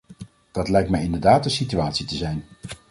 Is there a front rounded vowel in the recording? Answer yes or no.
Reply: yes